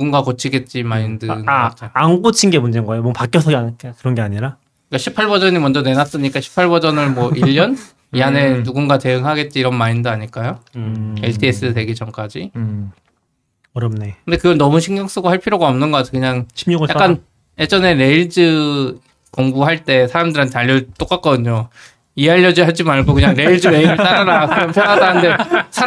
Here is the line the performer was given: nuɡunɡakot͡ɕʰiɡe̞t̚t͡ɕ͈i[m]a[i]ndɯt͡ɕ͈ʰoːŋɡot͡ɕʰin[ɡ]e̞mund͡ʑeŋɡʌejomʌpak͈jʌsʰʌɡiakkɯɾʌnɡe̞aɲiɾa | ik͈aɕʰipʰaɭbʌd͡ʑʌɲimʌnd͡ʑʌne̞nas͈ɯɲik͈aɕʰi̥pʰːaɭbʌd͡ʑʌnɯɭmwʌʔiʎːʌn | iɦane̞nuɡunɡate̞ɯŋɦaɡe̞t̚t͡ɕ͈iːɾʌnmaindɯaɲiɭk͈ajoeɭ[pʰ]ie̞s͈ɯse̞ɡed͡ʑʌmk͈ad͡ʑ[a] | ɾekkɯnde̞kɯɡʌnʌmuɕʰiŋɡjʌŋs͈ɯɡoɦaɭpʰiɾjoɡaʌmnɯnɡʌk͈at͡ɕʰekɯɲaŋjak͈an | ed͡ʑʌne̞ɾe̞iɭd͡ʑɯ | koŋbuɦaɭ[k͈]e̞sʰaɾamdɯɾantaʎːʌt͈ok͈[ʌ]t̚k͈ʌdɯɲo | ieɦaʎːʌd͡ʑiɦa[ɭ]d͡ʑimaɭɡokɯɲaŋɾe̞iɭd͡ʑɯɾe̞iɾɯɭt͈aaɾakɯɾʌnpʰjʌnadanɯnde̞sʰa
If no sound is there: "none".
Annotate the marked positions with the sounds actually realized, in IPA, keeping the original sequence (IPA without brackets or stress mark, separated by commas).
m, i, ɡ, tʰ, i, t͈, a, ɭ